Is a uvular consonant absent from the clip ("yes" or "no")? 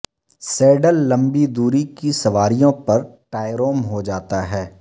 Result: yes